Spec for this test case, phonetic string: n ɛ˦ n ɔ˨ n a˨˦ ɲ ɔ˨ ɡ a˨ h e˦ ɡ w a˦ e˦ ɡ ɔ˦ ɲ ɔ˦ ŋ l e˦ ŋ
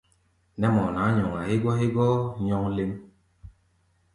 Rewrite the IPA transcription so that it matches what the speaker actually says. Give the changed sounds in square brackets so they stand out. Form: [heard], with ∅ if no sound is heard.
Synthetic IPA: n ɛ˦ [m] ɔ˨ n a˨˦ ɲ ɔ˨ [ŋ] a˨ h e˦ ɡ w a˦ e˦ ɡ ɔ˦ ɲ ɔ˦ ŋ l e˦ [m]